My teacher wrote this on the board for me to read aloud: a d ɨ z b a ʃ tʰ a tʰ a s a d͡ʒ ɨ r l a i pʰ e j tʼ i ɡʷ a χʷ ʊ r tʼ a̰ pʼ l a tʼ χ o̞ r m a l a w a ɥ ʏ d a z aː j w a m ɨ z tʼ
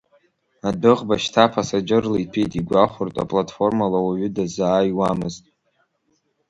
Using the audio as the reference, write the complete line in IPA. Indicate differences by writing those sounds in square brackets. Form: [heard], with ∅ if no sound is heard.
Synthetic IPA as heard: a d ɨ [ʁ] b a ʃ tʰ a [pʰ] a s a d͡ʒ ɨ r l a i pʰ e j tʼ i ɡʷ a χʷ ʊ r tʼ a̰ pʼ l a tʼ [f] o̞ r m a l a w a ɥ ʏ d a z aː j w a m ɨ z tʼ

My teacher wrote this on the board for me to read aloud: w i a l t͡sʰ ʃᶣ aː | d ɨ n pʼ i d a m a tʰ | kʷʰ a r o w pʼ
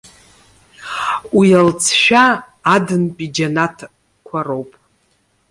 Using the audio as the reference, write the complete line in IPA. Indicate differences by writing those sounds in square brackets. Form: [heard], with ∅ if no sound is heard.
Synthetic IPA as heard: w i a l t͡sʰ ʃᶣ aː | d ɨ n pʼ i [d͡ʒ] a [n] a tʰ | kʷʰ a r o w pʼ

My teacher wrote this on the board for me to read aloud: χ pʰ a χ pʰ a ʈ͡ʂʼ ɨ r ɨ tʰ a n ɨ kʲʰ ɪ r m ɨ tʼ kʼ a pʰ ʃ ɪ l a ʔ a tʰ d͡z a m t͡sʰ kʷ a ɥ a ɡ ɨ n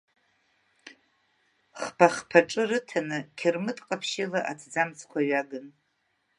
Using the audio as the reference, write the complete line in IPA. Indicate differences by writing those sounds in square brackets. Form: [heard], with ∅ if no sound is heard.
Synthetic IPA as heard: χ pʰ a χ pʰ a ʈ͡ʂʼ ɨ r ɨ tʰ a n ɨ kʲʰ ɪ r m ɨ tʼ [qʼ] a pʰ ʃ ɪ l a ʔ a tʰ d͡z a m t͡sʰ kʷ a ɥ a ɡ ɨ n

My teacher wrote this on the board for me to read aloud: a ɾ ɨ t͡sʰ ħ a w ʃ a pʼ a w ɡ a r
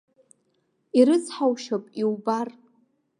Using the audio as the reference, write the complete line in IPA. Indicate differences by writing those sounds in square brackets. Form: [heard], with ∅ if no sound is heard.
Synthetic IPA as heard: [i] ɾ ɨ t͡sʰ ħ a w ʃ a pʼ [i] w [b] a r

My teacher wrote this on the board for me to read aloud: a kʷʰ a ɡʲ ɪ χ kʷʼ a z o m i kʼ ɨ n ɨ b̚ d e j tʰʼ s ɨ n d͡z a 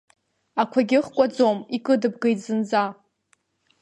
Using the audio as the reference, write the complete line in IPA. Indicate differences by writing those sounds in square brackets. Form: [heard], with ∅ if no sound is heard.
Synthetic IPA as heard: a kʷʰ a ɡʲ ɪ χ kʷʼ a [d͡z] o m i kʼ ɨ [d] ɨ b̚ [ɡ] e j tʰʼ [z] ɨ n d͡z a

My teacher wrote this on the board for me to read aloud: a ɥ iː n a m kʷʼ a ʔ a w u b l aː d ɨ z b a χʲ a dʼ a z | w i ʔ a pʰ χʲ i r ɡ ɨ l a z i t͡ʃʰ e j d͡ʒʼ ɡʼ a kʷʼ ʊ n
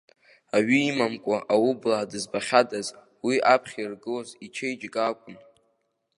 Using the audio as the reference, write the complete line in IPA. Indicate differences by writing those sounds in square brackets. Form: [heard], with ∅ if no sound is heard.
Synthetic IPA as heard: a ɥ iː [m] a m kʷʼ a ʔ a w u b l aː d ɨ z b a χʲ a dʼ a z | w i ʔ a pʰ χʲ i r ɡ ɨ l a z i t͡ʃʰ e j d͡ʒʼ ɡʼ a kʷʼ ʊ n

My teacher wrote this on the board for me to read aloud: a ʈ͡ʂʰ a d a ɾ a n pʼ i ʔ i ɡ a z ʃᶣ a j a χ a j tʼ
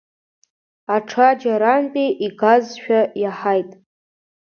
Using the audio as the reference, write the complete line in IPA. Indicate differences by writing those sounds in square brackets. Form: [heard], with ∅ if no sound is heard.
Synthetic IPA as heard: a ʈ͡ʂʰ a [d͡ʒ] a ɾ a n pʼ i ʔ i ɡ a z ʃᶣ a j a [ħ] a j tʼ

